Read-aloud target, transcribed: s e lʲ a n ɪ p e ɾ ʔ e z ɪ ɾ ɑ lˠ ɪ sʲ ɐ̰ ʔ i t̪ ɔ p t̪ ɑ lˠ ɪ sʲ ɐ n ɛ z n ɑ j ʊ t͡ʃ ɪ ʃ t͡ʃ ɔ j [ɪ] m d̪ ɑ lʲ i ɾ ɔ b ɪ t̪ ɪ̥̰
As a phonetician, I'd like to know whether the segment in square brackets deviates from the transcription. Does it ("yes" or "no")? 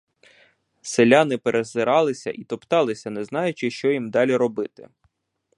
yes